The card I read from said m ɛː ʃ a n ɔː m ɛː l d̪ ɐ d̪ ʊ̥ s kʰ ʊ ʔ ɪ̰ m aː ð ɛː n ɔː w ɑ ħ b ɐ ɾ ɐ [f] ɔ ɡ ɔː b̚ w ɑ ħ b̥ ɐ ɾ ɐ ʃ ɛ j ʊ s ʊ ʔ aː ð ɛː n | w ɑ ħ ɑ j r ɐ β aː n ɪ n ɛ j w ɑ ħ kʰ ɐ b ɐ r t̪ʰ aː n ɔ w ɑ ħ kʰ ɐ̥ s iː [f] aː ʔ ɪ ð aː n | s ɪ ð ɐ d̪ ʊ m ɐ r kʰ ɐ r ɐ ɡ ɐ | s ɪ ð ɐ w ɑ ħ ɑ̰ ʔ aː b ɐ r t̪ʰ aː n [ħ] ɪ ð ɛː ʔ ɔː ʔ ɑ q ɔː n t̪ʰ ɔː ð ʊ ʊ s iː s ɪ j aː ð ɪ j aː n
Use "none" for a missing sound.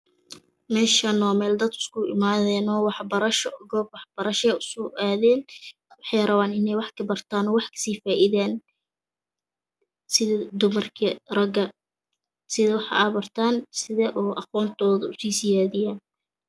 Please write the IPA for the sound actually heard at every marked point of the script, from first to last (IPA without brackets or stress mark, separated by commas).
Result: ʃ, f, s